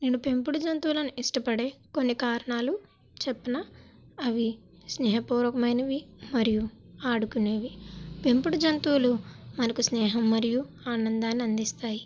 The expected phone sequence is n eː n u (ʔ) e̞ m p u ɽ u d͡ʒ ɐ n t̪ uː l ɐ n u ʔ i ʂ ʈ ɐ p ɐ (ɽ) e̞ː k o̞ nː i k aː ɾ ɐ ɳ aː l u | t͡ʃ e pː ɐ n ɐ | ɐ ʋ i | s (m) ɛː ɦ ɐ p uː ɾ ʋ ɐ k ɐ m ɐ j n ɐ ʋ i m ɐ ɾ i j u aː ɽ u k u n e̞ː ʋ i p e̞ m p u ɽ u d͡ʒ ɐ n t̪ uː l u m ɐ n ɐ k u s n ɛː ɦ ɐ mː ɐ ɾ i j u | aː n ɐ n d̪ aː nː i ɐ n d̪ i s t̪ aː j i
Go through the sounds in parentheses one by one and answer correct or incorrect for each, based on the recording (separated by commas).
incorrect, correct, incorrect